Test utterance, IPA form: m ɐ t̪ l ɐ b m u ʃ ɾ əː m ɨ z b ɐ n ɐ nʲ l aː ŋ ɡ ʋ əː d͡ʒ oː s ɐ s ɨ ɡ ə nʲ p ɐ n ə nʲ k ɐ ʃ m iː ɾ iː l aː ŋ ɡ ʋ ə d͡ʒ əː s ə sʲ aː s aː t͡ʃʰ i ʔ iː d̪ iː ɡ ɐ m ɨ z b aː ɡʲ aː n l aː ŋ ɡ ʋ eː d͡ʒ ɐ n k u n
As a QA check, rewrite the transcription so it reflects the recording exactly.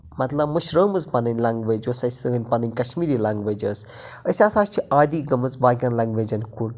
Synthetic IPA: m ɐ t̪ l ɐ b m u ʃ ɾ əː m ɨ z p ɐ n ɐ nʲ l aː ŋ ɡ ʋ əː d͡ʒ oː s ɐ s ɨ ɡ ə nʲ p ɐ n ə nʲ k ɐ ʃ m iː ɾ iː l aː ŋ ɡ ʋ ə d͡ʒ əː s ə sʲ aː s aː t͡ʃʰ i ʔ aː d̪ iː ɡ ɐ m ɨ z b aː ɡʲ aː n l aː ŋ ɡ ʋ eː d͡ʒ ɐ n k u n